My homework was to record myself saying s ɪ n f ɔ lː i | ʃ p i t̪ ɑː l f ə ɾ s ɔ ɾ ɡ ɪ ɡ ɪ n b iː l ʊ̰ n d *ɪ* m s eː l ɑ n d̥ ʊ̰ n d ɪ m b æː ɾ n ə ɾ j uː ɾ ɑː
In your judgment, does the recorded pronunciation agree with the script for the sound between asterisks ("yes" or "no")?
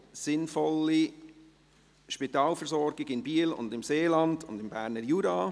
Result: yes